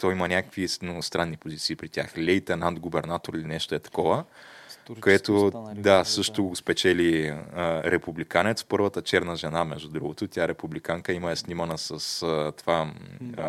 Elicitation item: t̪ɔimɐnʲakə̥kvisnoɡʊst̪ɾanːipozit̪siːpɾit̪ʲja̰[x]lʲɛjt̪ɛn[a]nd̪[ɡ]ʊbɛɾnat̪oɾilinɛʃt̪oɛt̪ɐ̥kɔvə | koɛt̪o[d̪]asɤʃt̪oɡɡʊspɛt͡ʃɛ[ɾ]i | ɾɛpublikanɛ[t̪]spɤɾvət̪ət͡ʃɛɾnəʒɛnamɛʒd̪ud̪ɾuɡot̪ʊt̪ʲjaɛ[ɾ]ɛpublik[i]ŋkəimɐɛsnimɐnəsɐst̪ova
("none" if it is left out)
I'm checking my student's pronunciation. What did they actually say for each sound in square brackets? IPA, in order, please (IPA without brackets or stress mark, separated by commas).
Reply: x, a, ɡ, d̪, l, t̪, ɾ, a